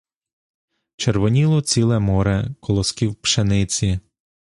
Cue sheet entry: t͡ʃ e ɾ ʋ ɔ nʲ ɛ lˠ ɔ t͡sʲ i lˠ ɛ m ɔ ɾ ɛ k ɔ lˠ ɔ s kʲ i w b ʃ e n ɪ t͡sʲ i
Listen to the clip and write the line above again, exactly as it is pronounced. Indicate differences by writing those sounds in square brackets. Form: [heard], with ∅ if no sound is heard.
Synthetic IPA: t͡ʃ e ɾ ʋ ɔ nʲ [i] lˠ ɔ t͡sʲ i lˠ ɛ m ɔ ɾ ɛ k ɔ lˠ ɔ s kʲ i w [p] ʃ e n ɪ t͡sʲ i